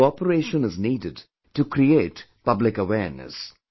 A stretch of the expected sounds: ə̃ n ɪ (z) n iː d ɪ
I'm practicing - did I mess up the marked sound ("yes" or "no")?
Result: no